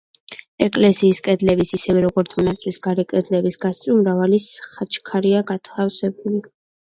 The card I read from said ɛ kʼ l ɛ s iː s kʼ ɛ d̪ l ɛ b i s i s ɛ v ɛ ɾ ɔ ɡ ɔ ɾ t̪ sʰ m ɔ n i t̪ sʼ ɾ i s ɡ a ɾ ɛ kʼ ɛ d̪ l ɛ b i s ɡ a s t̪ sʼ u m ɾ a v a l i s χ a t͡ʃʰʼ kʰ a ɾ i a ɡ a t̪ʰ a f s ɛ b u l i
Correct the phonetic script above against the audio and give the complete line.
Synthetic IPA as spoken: ɛ kʼ l ɛ s iː s kʼ ɛ d̪ l ɛ b i s i s ɛ v ɛ ɾ ɔ ɡ ɔ ɾ t̪ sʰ m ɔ n a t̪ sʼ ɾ i s ɡ a ɾ ɛ kʼ ɛ d̪ l ɛ b i s ɡ a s t̪ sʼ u m ɾ a v a l i s χ a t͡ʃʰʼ kʰ a ɾ i a ɡ a t̪ʰ a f s ɛ b u l i